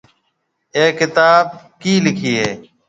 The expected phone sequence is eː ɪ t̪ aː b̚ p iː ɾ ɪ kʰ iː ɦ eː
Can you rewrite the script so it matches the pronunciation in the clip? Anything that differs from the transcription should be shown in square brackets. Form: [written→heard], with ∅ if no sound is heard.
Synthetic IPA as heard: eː ɪ t̪ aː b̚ [p→k] iː [ɾ→l] ɪ kʰ iː ɦ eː